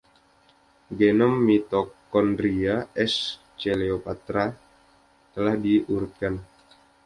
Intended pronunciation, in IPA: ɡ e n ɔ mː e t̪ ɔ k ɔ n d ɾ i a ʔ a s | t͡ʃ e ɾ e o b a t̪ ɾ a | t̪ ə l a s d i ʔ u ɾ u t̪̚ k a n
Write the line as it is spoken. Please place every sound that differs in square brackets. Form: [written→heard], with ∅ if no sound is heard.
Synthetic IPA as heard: ɡ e n ɔ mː [e→i] t̪ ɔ k ɔ n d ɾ i a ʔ [a→ɛ] s | t͡ʃ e [ɾ→l] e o [b→p] a t̪ ɾ a | t̪ ə l a [s→h] d i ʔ u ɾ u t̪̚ k a n